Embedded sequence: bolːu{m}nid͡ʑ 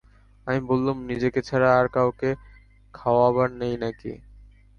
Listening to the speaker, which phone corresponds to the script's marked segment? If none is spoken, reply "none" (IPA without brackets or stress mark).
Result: m